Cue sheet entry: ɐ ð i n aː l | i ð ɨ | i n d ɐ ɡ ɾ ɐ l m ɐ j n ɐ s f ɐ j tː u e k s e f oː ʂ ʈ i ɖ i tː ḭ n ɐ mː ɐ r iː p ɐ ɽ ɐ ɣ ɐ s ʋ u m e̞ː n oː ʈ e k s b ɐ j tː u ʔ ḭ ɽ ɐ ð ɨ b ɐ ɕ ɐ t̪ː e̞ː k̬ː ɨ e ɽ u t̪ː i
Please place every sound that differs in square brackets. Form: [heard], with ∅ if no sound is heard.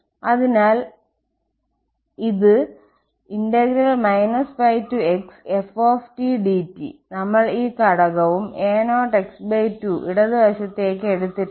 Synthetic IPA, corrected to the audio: ɐ ð i n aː l | i ð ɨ | i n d ɐ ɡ ɾ ɐ l m ɐ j n ɐ s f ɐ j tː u e k s e f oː [f] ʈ i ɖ i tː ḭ n ɐ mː ɐ [ɭ] iː [k] ɐ ɽ ɐ ɣ ɐ [∅] ʋ u m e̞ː n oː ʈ e k s b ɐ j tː u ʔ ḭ ɽ ɐ ð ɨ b ɐ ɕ ɐ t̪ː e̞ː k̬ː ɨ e ɽ u t̪ː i

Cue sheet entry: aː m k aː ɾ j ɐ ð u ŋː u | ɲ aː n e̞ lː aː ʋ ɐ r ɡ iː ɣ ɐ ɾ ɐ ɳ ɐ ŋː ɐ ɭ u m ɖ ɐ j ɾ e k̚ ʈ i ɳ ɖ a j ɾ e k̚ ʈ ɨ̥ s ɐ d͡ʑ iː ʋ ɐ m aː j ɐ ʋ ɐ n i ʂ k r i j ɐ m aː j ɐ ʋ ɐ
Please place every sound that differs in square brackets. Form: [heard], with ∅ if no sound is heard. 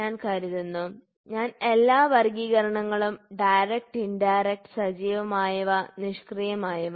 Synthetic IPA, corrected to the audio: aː [n] k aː ɾ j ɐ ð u [nː] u | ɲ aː n e̞ lː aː ʋ ɐ r ɡ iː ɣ ɐ ɾ ɐ ɳ ɐ ŋː ɐ ɭ u m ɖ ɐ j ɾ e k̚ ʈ i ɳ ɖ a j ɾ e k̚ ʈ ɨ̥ s ɐ d͡ʑ iː ʋ ɐ m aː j ɐ ʋ ɐ n i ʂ k r i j ɐ m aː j ɐ ʋ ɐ

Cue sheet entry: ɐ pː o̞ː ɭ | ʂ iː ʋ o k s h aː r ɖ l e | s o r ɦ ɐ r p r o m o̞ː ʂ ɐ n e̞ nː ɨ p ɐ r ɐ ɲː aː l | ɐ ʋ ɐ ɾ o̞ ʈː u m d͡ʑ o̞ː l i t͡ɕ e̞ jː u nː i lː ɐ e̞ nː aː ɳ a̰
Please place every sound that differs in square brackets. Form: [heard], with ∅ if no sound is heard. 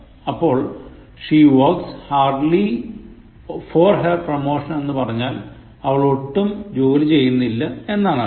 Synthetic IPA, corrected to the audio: ɐ pː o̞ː ɭ | ʂ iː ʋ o k s h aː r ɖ l [i] | [f] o r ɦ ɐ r p r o m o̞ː ʂ ɐ n e̞ nː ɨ p ɐ r ɐ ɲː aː l | ɐ ʋ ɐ [ɭ] o̞ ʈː u m d͡ʑ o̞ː l i t͡ɕ e̞ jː u nː i lː ɐ e̞ nː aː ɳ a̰

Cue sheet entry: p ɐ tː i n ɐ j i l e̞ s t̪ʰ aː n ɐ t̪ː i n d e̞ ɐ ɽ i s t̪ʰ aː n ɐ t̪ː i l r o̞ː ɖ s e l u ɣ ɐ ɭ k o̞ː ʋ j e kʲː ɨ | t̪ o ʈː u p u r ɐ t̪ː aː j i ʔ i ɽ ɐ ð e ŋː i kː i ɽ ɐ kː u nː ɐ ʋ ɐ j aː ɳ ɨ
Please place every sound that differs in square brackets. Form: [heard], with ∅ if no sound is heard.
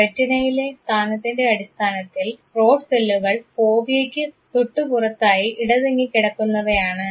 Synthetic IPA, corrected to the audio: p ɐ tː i n ɐ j i l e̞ s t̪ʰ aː n ɐ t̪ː i n d e̞ ɐ ɽ i s t̪ʰ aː n ɐ t̪ː i l r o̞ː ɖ s e [lː] u ɣ ɐ ɭ [p] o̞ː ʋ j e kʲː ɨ | t̪ [u] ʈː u p u r ɐ t̪ː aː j i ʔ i ɽ ɐ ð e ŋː i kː i ɽ ɐ kː u nː ɐ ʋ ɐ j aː ɳ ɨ

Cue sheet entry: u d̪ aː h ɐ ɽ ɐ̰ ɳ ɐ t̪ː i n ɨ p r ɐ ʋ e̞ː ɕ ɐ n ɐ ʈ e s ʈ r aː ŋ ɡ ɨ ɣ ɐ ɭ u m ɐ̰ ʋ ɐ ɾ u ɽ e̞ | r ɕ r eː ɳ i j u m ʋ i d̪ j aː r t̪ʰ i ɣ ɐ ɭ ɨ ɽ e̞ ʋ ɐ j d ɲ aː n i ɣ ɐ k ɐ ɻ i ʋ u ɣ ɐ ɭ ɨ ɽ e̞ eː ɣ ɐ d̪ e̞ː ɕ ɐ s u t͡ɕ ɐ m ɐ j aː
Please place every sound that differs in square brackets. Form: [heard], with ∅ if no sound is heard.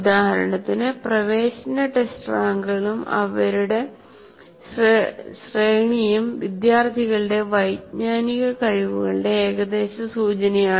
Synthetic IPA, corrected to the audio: u d̪ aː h ɐ [ɾ] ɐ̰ ɳ ɐ t̪ː i n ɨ p r ɐ ʋ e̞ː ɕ ɐ n ɐ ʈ e s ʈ r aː ŋ ɡ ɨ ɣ ɐ ɭ u m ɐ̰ ʋ ɐ ɾ u ɽ e̞ | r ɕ r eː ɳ i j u m ʋ i d̪ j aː r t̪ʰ i ɣ ɐ ɭ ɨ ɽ e̞ ʋ ɐ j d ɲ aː n i ɣ ɐ k ɐ ɻ i ʋ u ɣ ɐ ɭ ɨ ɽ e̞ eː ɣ ɐ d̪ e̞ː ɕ ɐ s [uː] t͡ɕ ɐ [n] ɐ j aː

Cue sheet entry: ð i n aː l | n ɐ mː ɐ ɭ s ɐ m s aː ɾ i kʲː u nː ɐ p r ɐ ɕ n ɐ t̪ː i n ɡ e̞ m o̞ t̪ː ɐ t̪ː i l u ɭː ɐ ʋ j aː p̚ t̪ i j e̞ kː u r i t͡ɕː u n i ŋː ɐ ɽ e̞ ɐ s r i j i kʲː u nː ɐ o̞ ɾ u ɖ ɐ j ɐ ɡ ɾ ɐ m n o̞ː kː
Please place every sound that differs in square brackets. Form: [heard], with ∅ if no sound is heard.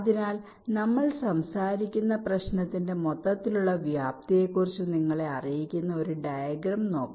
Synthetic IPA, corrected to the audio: ð i n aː l | n ɐ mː ɐ ɭ s ɐ m s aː ɾ i kʲː u nː ɐ p r ɐ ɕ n ɐ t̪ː i n [d] e̞ m o̞ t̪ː ɐ t̪ː i l u ɭː ɐ ʋ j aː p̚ t̪ i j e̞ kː u r i t͡ɕː u n i ŋː ɐ [ɭ] e̞ ɐ [∅] r i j i kʲː u nː ɐ o̞ ɾ u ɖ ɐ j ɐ ɡ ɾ ɐ m n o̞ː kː

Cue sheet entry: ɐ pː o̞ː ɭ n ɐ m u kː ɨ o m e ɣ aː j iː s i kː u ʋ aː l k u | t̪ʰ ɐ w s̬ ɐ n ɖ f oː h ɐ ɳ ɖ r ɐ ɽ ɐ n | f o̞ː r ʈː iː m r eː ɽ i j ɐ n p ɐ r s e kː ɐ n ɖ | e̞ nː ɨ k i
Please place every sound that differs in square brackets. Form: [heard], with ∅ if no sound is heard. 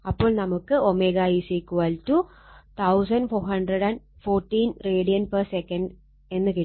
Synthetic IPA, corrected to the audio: ɐ pː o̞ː ɭ n ɐ m u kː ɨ o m e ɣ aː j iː s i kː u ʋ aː l [t] u | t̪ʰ ɐ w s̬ ɐ n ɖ f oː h ɐ ɳ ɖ r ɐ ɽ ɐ n | f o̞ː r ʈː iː [n] r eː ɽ i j ɐ n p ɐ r s e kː ɐ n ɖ | e̞ nː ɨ k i

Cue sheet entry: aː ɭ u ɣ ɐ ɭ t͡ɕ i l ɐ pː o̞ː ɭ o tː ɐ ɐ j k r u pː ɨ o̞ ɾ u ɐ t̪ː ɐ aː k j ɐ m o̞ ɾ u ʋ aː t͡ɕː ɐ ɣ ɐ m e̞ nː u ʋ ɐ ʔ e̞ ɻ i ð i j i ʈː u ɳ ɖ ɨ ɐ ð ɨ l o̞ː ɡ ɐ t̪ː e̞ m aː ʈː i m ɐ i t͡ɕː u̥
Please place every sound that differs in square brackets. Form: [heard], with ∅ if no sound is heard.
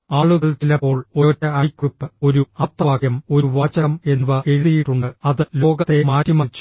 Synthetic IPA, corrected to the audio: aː ɭ u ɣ ɐ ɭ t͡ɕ i l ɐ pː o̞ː ɭ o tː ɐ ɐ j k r u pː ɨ o̞ ɾ u ɐ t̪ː ɐ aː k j ɐ m o̞ ɾ u ʋ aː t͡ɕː ɐ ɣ ɐ m e̞ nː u ʋ ɐ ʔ e̞ ɻ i ð i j i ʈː u ɳ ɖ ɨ ɐ ð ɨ l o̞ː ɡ ɐ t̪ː e̞ m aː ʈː i m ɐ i t͡ɕː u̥

